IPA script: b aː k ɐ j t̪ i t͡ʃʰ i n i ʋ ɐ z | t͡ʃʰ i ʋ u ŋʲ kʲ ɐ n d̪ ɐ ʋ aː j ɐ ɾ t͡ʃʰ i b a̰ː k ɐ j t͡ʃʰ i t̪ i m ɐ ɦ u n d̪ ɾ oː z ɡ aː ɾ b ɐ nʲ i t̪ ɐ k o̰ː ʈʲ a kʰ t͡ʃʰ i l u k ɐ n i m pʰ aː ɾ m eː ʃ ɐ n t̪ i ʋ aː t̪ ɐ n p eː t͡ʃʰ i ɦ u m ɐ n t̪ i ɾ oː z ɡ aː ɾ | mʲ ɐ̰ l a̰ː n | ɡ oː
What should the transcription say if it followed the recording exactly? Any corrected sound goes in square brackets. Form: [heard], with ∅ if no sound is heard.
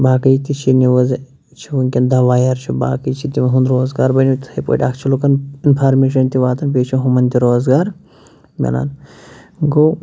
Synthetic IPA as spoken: b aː k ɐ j t̪ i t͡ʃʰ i n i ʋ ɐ z | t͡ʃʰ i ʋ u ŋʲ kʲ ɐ n d̪ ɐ ʋ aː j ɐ ɾ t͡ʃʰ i b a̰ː k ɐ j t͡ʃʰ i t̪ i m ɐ ɦ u n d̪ ɾ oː z ɡ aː ɾ b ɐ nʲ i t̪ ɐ [p] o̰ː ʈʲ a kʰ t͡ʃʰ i l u k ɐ n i [n] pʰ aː ɾ m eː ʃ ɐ n t̪ i ʋ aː t̪ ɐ n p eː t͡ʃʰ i ɦ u m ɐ n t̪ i ɾ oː z ɡ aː ɾ | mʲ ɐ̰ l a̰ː n | ɡ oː